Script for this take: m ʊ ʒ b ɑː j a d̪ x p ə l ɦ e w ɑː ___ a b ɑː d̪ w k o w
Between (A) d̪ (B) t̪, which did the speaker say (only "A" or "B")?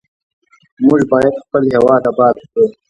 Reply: A